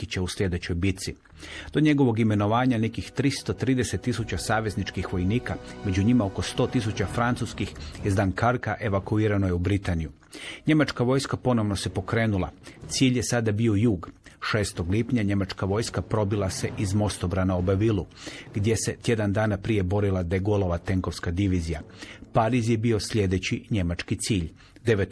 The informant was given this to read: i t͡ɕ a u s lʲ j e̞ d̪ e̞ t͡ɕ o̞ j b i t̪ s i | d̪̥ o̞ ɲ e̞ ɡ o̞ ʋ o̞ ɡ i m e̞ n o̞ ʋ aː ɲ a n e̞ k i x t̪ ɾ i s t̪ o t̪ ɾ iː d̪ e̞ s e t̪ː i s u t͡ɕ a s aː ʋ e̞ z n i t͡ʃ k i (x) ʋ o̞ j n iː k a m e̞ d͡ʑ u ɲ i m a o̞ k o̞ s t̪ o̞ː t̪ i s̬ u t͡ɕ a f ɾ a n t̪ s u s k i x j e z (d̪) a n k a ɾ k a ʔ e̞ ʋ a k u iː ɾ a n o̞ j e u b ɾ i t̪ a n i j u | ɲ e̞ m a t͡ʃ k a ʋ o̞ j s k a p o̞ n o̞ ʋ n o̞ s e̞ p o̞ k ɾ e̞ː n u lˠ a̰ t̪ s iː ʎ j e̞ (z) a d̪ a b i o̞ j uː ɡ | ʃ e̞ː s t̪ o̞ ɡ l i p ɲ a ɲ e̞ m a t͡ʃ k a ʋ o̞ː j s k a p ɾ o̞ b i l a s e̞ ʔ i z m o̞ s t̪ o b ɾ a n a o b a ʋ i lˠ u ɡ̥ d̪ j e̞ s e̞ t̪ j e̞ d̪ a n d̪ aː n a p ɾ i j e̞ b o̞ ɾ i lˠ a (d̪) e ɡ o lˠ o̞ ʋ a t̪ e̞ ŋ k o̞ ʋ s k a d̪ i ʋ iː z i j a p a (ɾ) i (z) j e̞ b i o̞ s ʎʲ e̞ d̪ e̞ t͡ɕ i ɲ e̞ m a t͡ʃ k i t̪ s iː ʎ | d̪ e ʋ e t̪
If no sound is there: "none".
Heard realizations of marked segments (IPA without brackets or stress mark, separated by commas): x, d̪, s, d̪, ɾ, z